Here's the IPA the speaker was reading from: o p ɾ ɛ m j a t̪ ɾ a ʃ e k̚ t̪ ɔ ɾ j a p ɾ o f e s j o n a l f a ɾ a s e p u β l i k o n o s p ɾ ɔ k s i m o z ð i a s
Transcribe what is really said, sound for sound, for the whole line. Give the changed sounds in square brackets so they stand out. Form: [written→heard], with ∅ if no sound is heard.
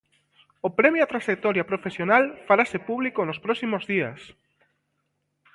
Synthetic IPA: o p ɾ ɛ m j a t̪ ɾ a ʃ e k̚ t̪ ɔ ɾ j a p ɾ o f e s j o n a l f a ɾ a s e p u β l i k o n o s p ɾ ɔ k s i m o z ð i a s